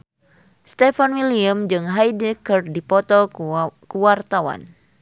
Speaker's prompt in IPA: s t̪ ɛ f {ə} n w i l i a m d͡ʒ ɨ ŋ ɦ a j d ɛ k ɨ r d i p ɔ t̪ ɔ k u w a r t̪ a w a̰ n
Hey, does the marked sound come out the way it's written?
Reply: no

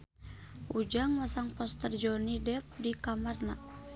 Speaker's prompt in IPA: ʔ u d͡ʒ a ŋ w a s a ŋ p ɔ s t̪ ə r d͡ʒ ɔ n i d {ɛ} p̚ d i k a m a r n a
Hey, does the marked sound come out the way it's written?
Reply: yes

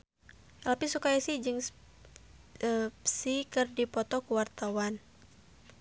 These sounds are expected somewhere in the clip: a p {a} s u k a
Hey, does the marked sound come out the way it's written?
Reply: no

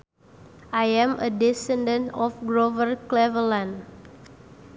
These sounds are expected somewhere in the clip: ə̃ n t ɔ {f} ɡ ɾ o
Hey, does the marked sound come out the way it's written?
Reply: yes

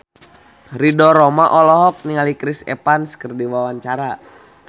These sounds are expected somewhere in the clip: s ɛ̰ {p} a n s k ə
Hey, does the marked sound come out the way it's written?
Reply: yes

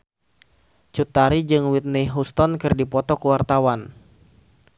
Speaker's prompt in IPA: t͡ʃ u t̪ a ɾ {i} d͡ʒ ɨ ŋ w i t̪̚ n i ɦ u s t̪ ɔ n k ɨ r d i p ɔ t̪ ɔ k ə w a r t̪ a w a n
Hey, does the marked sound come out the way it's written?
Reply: yes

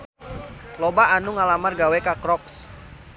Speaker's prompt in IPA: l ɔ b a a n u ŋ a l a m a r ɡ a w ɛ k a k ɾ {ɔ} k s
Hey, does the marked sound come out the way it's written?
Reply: yes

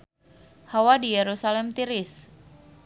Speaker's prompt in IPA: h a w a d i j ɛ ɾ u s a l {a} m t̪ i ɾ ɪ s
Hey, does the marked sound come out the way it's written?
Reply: no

